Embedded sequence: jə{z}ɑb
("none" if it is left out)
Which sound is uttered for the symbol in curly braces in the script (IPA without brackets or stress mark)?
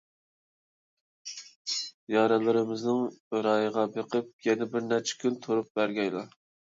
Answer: ʁ